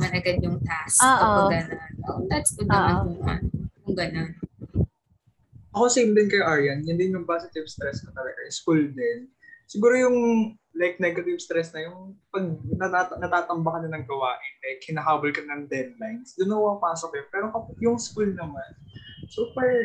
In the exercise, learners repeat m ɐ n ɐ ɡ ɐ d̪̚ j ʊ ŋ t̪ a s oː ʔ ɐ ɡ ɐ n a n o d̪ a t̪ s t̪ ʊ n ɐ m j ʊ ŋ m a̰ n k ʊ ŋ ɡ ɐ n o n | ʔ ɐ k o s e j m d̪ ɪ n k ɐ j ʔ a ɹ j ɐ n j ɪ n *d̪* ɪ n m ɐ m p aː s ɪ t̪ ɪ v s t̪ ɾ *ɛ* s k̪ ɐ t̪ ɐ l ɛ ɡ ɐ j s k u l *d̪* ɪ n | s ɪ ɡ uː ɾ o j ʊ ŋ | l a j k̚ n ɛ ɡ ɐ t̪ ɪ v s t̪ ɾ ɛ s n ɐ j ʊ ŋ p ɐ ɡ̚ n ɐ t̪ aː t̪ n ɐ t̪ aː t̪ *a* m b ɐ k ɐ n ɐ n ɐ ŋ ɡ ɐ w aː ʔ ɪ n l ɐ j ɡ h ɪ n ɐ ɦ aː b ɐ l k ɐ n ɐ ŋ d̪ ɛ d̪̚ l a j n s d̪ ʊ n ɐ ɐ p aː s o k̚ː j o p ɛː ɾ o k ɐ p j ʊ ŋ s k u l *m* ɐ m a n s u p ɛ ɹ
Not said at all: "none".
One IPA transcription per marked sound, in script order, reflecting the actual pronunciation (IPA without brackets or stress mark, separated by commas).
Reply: d̪, ɛ, d̪, ɐ, n